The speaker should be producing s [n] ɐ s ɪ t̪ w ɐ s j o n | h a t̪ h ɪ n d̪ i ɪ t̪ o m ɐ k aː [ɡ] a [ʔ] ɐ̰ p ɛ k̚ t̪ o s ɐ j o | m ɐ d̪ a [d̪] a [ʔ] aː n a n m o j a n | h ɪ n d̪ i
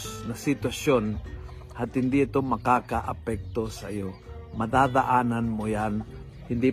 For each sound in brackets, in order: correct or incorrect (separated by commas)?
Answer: correct, incorrect, correct, correct, correct